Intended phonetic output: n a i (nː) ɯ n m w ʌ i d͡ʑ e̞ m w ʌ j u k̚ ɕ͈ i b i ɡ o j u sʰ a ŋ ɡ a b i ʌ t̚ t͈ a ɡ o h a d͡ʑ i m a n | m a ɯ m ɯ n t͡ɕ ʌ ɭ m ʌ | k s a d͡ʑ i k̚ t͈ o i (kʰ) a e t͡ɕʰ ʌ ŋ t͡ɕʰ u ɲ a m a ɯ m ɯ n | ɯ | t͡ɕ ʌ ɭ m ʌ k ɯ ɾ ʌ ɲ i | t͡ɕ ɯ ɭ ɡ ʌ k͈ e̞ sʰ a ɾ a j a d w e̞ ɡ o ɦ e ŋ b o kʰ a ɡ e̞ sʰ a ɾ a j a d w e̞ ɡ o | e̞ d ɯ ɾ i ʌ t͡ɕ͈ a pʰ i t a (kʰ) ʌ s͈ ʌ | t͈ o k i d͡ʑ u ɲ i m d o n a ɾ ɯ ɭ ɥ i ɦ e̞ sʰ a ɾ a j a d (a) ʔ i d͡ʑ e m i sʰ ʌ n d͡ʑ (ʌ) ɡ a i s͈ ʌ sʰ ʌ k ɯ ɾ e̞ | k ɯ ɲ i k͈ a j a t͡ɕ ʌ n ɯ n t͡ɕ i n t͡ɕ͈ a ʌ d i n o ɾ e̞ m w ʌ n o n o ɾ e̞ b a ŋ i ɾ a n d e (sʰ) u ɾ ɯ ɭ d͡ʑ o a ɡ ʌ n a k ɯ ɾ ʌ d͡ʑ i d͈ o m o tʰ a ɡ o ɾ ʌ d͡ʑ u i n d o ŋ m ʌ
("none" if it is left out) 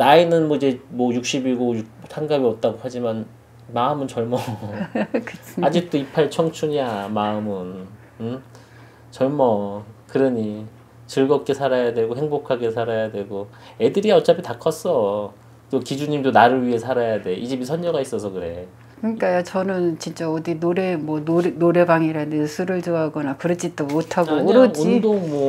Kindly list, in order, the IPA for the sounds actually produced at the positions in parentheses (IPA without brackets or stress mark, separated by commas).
n, pʰ, kʰ, e, ʌ, sʰ